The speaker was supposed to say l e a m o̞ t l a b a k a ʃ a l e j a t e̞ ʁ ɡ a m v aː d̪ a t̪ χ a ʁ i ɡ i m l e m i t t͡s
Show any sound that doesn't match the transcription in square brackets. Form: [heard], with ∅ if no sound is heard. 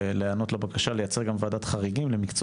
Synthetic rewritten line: l e a [n] o̞ t l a b a k a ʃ a l e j a [t͡s] e̞ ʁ ɡ a m v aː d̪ a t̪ χ a ʁ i ɡ i m l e m i [k] t͡s